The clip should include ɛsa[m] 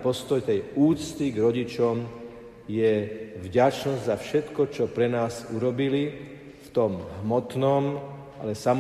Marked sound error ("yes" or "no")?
no